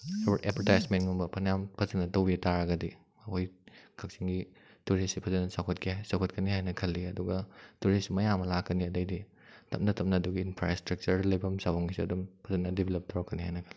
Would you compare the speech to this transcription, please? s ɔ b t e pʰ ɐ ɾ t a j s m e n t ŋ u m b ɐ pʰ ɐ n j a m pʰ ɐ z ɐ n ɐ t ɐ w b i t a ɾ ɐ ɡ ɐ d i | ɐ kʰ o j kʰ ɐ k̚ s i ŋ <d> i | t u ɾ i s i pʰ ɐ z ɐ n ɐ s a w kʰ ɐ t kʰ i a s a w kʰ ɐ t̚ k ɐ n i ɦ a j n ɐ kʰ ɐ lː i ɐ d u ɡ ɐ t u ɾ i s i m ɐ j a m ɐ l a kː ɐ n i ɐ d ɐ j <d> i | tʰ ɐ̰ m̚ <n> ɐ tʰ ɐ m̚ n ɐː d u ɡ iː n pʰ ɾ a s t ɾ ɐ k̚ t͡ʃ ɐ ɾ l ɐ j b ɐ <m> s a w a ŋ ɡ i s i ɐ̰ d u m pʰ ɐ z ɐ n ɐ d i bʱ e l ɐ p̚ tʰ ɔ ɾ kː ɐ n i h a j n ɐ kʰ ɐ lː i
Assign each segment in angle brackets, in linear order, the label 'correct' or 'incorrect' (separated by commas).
incorrect, correct, correct, correct